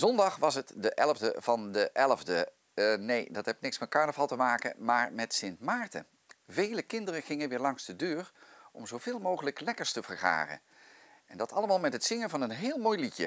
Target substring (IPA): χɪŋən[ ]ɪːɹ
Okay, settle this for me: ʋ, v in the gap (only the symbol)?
ʋ